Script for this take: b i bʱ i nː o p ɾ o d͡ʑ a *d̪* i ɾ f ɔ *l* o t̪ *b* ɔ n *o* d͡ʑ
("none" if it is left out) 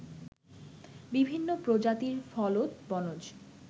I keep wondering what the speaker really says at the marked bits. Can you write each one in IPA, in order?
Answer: t̪, l, b, o

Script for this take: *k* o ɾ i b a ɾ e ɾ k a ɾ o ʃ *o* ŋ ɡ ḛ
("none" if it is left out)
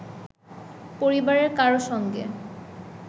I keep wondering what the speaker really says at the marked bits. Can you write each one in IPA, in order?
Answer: p, ɔ

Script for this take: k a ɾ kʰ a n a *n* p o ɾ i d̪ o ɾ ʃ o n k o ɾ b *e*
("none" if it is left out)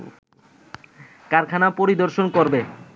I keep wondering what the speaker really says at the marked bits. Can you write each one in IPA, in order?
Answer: none, e

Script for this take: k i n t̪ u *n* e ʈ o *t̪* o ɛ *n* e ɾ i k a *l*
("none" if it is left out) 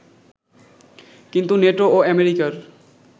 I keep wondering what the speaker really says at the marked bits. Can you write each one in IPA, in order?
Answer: n, none, m, ɾ

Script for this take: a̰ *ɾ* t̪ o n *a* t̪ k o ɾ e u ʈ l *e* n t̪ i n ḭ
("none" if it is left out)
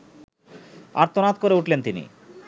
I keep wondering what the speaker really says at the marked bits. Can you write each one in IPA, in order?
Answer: ɾ, a, e

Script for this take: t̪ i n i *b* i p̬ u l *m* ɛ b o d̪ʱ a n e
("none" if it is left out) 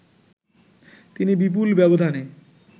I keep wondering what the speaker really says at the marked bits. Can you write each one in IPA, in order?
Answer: b, b

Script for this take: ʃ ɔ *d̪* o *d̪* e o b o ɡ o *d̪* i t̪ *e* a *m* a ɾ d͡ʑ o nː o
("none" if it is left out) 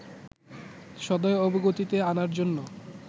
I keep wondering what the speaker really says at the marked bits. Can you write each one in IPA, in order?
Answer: d̪, none, t̪, e, n

